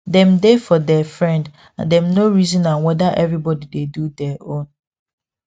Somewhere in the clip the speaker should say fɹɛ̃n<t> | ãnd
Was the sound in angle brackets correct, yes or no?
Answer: no